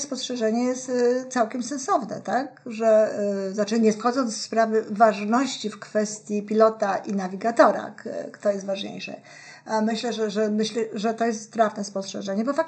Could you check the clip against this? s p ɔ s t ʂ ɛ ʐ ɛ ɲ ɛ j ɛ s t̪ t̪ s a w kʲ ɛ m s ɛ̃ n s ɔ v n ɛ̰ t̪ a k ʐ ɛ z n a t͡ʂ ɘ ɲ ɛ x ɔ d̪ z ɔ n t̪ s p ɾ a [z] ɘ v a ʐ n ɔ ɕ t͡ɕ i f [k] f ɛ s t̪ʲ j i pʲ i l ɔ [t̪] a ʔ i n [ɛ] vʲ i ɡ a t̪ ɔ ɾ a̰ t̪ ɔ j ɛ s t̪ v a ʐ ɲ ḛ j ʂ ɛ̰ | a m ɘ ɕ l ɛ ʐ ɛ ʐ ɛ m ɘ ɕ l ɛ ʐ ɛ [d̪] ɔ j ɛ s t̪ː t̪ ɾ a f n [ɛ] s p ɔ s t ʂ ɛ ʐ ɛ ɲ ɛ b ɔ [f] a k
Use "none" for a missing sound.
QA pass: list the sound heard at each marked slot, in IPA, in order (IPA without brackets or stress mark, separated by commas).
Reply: v, k, t̪, a, t̪, ɛ, f